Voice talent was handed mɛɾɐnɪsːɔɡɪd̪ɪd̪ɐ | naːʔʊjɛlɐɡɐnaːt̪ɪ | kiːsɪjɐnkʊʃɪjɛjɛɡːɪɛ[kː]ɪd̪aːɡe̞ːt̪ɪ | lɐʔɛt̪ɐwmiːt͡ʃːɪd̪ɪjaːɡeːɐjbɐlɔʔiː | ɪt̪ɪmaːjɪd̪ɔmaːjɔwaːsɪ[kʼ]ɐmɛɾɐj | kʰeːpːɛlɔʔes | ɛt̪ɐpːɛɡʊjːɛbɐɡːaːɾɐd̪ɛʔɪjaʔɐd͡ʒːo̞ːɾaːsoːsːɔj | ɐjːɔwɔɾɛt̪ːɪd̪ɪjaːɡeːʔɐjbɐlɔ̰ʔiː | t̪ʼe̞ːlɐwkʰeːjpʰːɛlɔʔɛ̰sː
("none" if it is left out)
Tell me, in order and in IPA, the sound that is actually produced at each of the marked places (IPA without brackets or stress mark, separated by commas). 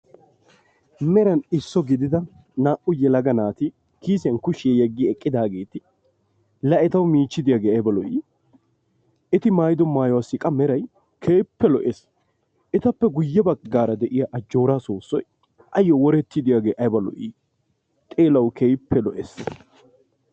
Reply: kʼː, kʼ